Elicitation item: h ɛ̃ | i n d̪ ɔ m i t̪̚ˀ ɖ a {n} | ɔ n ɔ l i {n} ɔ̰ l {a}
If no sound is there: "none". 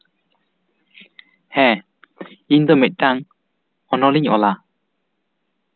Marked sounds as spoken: ŋ, ɲ, a

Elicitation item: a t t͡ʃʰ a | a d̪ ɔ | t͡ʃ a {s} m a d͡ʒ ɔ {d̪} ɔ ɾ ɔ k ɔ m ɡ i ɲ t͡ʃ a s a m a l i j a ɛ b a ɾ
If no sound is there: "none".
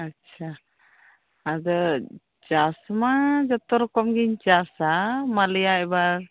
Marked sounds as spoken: s, t̪

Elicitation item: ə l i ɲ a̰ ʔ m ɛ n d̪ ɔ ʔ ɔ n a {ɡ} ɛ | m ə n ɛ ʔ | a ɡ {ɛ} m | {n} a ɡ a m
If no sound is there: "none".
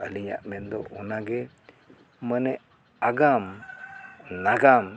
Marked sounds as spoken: ɡ, a, n

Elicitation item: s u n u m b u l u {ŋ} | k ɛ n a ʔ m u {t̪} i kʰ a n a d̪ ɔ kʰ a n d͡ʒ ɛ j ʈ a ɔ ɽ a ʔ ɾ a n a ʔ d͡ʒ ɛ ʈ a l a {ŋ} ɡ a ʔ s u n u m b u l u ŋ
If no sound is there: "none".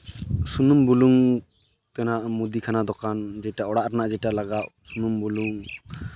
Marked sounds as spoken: ŋ, d̪, none

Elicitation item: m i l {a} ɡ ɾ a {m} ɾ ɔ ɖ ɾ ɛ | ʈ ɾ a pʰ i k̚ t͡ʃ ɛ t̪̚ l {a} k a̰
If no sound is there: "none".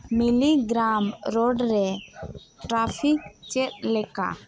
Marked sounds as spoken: i, m, ɛ

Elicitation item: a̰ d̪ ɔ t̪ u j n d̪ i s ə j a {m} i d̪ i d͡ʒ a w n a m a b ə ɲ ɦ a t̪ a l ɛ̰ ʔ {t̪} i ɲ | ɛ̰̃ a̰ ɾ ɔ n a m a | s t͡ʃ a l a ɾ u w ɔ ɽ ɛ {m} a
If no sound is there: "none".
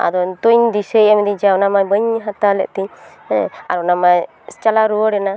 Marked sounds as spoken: m, t̪, n

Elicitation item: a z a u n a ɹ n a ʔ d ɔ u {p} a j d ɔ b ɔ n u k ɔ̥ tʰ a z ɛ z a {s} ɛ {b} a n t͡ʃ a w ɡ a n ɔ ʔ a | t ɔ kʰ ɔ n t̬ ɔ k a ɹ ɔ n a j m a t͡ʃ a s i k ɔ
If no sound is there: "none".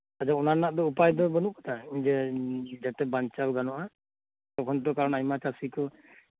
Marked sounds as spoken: p, t, b

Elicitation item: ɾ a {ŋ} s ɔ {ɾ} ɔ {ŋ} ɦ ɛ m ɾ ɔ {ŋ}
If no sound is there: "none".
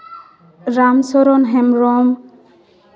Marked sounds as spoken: m, ɾ, n, m

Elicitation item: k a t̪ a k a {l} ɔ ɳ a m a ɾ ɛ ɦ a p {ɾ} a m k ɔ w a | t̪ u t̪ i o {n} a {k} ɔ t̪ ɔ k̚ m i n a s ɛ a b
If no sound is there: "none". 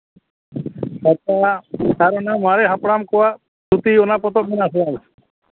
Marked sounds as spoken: ɾ, ɽ, n, p

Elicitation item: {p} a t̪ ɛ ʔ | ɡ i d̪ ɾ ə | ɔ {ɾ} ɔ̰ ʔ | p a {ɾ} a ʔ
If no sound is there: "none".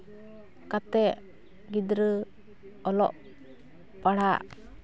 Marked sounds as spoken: k, l, ɽ

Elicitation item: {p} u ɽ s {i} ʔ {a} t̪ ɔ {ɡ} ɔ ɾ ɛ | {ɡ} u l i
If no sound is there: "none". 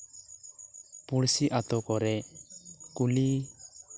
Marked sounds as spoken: p, i, a, k, k

